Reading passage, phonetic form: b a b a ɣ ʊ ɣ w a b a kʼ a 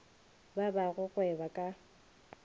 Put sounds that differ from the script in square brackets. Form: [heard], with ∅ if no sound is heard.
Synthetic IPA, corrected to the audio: b a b a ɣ ʊ ɣ w [ɛ] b a kʼ a

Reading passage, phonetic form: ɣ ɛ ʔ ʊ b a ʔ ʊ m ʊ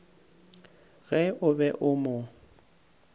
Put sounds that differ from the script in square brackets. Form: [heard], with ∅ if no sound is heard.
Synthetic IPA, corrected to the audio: ɣ ɛ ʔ ʊ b [ɛ] ʔ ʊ m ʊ

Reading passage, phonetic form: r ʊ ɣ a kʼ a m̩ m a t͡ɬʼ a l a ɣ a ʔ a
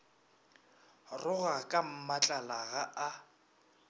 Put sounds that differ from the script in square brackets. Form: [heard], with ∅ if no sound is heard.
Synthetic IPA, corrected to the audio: r ʊ ɣ a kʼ a m̩ m a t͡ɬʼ a l a ɣ a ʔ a

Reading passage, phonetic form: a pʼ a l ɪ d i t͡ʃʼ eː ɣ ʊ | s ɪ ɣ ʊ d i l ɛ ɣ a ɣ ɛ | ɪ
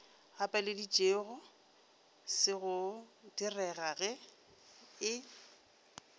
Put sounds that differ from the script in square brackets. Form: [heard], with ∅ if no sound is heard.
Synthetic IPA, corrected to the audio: a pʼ a l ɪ d i t͡ʃʼ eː ɣ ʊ | s ɪ ɣ ʊ d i [r] ɛ ɣ a ɣ ɛ | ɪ

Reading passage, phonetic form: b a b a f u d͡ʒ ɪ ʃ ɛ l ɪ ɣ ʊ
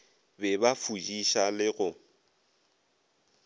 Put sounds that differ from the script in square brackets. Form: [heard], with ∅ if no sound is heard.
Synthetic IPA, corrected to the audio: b [ɛ] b a f u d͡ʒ [i] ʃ [a] l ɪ ɣ ʊ

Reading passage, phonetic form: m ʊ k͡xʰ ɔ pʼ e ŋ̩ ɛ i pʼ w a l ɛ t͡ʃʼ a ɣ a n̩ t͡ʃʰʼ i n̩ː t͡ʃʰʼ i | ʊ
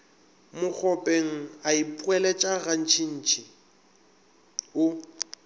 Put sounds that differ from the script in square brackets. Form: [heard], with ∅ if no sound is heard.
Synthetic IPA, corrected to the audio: m ʊ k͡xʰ ɔ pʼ e ŋ̩ [a] i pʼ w [ɛ] l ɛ t͡ʃʼ a ɣ a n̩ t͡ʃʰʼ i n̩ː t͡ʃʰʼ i | ʊ

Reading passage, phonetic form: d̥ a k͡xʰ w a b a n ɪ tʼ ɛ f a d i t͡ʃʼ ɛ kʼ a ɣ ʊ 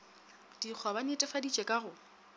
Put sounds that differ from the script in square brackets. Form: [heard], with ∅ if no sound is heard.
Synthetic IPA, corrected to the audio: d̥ [i] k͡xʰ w a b a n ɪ tʼ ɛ f a d i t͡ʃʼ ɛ kʼ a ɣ ʊ

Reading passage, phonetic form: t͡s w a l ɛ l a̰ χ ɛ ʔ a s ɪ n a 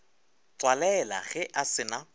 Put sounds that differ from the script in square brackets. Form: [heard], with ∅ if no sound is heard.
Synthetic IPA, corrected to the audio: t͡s w a l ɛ l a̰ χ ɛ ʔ a s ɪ n a

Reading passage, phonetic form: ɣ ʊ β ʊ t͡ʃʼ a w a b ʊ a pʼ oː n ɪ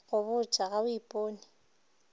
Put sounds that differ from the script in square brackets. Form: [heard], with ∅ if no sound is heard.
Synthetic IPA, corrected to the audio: ɣ ʊ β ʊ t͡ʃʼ a [ɣ] a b ʊ [i] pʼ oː n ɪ

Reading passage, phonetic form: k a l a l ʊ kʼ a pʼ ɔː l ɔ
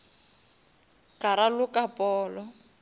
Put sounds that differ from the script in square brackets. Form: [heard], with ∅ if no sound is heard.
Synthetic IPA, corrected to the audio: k a [ɾ] a l ʊ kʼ a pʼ ɔː l ɔ

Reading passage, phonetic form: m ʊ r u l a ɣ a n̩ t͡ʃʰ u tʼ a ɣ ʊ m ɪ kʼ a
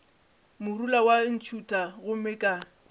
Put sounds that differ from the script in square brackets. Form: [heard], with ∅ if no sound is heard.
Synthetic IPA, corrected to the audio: m ʊ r u l a [w] a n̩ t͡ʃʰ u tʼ a ɣ ʊ m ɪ kʼ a

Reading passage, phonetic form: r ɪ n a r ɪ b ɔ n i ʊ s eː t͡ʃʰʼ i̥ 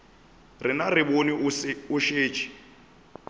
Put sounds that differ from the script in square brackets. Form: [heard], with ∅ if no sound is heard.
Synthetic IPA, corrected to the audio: r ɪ n a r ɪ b [o] n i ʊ [ʃ] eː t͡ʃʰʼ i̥

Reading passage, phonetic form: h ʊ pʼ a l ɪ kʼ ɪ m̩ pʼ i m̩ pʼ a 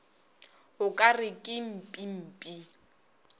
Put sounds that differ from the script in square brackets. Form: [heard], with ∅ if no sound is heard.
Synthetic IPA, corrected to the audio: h ʊ [kʼ] a [r] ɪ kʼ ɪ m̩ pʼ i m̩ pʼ [i]

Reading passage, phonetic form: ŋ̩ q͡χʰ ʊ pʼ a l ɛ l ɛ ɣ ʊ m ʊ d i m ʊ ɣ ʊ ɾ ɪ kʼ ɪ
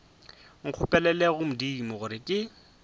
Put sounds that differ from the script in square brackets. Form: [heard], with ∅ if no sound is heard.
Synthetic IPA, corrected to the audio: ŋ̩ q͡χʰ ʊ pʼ [ɛ] l ɛ l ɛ ɣ ʊ m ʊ d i m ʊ ɣ ʊ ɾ ɪ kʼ ɪ

